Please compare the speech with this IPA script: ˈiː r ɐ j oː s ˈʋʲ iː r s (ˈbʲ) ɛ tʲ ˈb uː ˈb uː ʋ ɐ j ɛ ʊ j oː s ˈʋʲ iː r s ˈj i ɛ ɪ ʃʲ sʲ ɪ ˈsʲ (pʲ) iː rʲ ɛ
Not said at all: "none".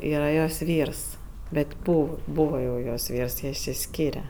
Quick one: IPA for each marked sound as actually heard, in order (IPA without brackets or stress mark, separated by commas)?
bʲ, kʲ